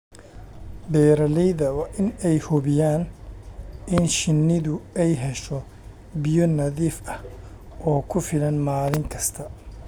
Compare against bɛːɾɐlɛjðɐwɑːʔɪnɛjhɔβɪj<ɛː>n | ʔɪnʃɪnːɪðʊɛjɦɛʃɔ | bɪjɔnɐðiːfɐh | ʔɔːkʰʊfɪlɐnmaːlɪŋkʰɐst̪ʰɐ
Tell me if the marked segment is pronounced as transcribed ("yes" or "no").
no